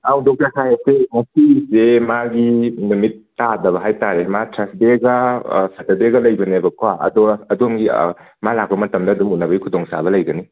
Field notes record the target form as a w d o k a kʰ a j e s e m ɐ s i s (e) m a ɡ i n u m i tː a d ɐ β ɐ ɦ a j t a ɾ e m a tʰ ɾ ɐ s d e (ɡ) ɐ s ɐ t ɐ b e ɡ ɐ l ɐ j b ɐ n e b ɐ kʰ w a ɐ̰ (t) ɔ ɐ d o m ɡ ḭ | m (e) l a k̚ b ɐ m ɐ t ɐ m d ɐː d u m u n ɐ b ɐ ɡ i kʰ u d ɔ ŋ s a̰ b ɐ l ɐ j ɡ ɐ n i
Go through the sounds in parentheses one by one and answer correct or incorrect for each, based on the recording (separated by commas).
correct, correct, incorrect, incorrect